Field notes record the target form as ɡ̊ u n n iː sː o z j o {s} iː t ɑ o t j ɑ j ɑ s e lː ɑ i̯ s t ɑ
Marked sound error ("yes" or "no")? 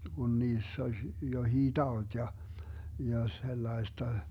yes